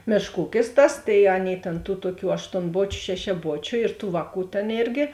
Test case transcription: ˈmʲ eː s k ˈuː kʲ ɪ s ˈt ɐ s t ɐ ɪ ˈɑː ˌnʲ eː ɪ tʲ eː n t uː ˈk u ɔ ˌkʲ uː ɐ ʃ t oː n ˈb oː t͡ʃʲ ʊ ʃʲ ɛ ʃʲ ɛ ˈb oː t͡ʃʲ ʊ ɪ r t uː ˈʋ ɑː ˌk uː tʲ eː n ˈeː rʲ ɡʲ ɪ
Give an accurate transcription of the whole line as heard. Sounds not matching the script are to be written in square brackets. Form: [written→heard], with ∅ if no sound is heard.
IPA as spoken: ˈmʲ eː [s→ʃ] k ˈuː kʲ ɪ s ˈt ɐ s t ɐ ɪ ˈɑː ˌnʲ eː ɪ tʲ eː n t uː [ˈk→ˈt] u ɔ ˌkʲ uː ɐ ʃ t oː n ˈb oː t͡ʃʲ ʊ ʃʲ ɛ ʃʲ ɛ ˈb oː t͡ʃʲ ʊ ɪ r t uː ˈʋ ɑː ˌk uː tʲ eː n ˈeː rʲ ɡʲ ɪ